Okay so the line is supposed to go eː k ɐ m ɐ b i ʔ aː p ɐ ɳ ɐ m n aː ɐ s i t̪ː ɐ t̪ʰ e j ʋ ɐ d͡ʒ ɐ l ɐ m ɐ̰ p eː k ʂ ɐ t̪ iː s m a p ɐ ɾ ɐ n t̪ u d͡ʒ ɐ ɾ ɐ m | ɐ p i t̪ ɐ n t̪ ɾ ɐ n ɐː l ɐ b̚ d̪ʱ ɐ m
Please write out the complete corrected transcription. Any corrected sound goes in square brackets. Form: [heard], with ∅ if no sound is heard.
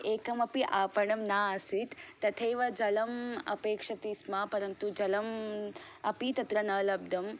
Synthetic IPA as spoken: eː k ɐ m ɐ [p] i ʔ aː p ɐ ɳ ɐ m n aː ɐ s i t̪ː ɐ t̪ʰ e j ʋ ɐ d͡ʒ ɐ l ɐ m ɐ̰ p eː k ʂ ɐ t̪ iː s m a p ɐ ɾ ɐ n t̪ u d͡ʒ ɐ [l] ɐ m | ɐ p i t̪ ɐ [∅] t̪ ɾ ɐ n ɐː l ɐ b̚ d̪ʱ ɐ m